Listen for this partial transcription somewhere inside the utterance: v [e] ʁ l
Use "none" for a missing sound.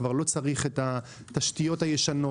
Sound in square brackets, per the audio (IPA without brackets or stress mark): a